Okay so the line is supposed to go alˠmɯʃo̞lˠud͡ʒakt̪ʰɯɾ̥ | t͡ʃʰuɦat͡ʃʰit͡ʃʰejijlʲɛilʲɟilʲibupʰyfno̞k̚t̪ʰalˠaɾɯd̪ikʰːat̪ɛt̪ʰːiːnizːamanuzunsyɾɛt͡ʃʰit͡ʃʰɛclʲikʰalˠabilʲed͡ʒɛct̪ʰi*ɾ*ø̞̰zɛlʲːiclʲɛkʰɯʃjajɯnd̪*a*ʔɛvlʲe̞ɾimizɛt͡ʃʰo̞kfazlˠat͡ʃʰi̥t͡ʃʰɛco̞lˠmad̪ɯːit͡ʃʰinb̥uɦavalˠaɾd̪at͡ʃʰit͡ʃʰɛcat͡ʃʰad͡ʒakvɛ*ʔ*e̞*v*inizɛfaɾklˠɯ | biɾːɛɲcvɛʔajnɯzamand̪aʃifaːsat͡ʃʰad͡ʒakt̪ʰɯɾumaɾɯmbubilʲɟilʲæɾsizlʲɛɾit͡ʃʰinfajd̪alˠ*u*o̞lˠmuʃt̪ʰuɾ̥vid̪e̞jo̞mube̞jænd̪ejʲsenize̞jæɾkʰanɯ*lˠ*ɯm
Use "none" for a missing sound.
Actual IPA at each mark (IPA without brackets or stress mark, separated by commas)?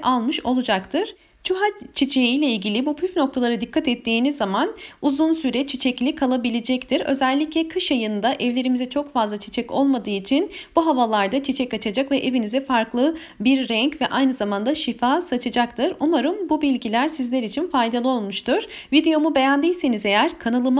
ɾ, a, ʔ, v, ɯ, lˠ